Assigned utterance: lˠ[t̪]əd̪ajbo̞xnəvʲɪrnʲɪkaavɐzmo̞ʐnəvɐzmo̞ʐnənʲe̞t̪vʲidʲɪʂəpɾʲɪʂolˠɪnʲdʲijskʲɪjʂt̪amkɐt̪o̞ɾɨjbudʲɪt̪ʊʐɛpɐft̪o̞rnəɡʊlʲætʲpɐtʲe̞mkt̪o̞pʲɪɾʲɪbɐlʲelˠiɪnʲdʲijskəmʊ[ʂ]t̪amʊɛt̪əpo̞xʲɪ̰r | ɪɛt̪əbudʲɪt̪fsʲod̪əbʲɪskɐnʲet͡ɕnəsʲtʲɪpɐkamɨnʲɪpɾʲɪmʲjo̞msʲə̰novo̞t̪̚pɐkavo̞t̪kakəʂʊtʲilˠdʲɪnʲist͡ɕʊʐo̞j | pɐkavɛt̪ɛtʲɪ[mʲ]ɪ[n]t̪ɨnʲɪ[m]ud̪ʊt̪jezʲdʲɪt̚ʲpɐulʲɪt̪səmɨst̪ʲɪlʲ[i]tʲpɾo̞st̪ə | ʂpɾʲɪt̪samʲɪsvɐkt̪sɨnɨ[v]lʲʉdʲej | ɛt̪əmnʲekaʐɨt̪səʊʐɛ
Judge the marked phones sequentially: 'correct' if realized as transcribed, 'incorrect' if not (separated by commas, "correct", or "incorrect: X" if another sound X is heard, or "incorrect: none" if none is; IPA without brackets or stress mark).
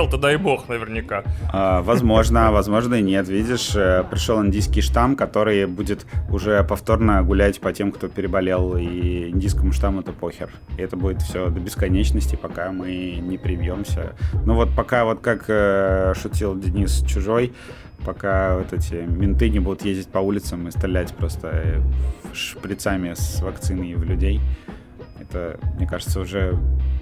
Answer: correct, correct, correct, correct, incorrect: b, incorrect: æ, correct